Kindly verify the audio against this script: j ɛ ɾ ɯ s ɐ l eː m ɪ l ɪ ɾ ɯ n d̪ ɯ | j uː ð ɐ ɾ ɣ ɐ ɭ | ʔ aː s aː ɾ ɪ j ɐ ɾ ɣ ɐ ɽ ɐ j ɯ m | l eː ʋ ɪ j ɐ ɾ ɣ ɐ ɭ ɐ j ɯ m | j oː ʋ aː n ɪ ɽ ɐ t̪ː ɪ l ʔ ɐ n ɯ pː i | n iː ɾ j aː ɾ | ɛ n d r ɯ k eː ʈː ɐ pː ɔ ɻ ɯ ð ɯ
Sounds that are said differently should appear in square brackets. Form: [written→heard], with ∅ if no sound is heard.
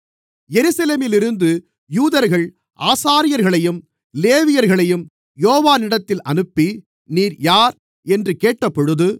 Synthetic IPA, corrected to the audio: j ɛ ɾ ɯ s ɐ l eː m ɪ l ɪ ɾ ɯ n d̪ ɯ | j uː ð ɐ ɾ ɣ ɐ ɭ | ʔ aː s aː ɾ ɪ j ɐ ɾ ɣ ɐ [ɽ→ɭ] ɐ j ɯ m | l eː ʋ ɪ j ɐ ɾ ɣ ɐ ɭ ɐ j ɯ m | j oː ʋ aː n ɪ ɽ ɐ t̪ː ɪ l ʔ ɐ n ɯ pː i | n iː ɾ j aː ɾ | ɛ n d r ɯ k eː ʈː ɐ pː ɔ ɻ ɯ ð ɯ